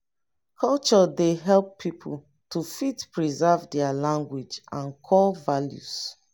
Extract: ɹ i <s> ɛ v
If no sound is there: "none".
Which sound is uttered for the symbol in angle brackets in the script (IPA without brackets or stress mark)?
z